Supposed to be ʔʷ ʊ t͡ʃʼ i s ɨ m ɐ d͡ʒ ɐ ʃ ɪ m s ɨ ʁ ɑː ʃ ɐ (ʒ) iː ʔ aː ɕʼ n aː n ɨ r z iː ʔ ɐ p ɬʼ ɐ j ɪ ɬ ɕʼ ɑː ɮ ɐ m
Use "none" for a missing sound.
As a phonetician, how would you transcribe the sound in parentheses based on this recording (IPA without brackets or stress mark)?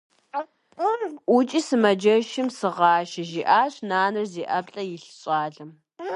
ʒ